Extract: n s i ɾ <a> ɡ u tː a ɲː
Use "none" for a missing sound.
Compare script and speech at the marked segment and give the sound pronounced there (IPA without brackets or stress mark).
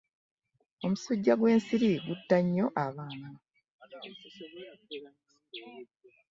i